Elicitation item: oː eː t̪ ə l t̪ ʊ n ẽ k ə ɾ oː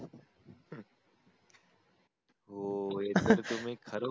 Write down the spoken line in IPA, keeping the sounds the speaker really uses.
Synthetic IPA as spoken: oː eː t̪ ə ɾ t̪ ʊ m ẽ kʰ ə ɾ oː